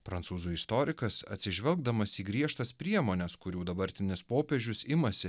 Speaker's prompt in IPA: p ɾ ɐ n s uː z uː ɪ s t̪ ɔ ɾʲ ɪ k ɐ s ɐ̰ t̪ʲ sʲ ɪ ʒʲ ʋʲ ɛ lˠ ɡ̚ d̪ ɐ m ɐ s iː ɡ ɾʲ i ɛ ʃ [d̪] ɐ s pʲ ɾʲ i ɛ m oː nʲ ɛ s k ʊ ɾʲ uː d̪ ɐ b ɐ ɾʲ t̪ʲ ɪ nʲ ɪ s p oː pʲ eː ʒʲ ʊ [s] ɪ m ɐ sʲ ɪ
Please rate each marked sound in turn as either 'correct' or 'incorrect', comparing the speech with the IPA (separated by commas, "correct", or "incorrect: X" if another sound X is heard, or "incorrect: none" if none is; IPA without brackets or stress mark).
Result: incorrect: t̪, correct